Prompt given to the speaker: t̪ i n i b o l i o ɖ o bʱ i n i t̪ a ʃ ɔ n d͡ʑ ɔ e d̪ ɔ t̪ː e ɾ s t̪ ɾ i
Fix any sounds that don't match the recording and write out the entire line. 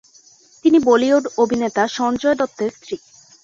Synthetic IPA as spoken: t̪ i n i b o l i o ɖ o bʱ i n e t̪ a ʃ ɔ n d͡ʑ ɔ e d̪ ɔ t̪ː e ɾ s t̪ ɾ i